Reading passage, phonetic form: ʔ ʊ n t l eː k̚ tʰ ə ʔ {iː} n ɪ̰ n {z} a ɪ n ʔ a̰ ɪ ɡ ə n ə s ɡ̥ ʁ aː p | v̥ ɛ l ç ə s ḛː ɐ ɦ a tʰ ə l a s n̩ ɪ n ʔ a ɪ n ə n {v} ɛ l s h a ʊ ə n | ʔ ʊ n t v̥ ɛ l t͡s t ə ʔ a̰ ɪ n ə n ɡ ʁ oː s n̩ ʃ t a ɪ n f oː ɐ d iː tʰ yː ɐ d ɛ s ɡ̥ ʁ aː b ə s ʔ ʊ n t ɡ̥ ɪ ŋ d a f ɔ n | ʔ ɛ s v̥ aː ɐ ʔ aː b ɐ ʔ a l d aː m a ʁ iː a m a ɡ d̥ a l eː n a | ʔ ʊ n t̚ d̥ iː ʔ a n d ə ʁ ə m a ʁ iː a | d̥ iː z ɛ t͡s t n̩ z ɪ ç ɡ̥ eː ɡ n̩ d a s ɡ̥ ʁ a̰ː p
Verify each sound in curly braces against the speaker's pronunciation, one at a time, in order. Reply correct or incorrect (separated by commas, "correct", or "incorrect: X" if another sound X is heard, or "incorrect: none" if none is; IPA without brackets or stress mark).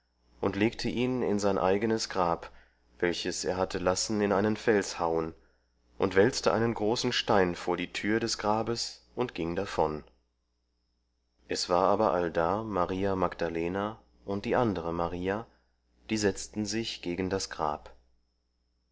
correct, correct, incorrect: f